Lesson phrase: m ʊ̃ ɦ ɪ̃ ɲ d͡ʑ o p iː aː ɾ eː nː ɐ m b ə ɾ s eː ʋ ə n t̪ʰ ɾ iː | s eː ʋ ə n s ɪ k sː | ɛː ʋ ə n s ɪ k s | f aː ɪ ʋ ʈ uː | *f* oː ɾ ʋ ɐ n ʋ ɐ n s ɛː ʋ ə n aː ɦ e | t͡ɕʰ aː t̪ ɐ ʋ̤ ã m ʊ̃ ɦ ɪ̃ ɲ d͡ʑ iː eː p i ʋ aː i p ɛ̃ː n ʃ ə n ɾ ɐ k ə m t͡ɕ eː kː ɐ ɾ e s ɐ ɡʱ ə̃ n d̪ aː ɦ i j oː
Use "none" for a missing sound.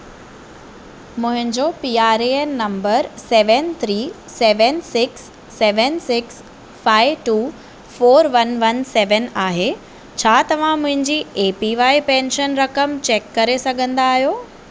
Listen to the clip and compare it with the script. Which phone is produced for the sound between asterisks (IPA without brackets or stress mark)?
f